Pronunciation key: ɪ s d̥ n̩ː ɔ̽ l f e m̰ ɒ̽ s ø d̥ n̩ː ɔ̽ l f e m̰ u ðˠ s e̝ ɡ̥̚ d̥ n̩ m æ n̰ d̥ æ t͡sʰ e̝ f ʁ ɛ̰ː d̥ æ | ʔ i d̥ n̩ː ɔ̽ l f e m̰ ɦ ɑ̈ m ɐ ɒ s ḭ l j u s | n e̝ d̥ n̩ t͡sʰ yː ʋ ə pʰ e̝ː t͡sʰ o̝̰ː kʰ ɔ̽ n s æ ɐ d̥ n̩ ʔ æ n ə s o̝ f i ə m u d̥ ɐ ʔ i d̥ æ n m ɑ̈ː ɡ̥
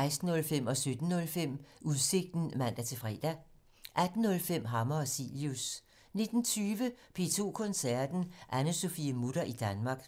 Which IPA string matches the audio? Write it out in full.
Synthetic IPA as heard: ɪ s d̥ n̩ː ɔ̽ l f e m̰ ɒ̽ s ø d̥ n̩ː ɔ̽ l f e m̰ u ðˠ s e̝ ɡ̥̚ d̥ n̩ m æ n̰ d̥ æ t͡sʰ e̝ f ʁ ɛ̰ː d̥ æ | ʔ æ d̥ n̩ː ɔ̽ l f e m̰ ɦ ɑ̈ m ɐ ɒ s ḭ l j u s | n e̝ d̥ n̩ t͡sʰ yː ʋ ə pʰ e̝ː t͡sʰ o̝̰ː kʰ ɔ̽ n s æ ɐ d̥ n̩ ʔ æ n ə s o̝ f i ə m u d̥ ɐ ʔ i d̥ æ n m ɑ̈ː ɡ̥